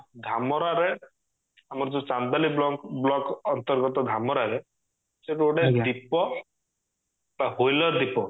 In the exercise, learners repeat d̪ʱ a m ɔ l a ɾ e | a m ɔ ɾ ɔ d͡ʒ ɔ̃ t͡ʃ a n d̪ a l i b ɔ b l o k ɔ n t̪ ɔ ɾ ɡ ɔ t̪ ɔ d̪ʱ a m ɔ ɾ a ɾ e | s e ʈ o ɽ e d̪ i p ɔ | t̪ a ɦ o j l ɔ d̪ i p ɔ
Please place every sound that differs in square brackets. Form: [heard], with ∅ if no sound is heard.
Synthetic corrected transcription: d̪ʱ a m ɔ [ɾ] a ɾ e | a m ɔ ɾ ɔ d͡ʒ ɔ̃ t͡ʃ a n d̪ a l i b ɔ b l [ɔ] k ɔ n t̪ ɔ ɾ ɡ ɔ t̪ ɔ d̪ʱ a m ɔ ɾ a ɾ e | s e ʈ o ɽ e d̪ i p ɔ | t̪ a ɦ o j l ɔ d̪ i p ɔ